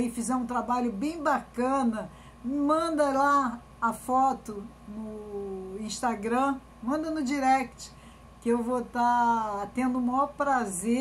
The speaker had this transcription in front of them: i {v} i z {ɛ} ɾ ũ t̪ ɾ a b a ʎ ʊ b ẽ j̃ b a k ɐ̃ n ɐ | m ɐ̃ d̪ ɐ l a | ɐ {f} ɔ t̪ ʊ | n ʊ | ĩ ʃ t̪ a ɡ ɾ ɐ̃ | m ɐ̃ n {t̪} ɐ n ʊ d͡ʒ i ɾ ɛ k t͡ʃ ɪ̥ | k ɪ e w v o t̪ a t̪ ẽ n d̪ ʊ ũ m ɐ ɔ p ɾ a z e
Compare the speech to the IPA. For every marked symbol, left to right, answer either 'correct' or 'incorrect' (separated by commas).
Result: incorrect, correct, correct, incorrect